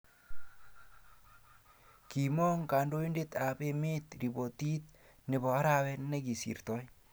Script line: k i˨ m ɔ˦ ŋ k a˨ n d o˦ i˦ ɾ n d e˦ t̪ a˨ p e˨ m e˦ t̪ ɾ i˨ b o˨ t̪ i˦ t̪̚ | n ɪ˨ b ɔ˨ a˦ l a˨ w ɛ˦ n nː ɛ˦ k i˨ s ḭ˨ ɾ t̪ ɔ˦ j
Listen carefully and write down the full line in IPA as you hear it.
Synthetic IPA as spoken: k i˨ m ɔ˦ ŋ k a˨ n d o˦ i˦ n d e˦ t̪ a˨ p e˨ m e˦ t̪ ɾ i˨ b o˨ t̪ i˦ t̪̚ | n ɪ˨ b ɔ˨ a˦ ɾ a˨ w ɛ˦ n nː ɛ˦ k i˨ s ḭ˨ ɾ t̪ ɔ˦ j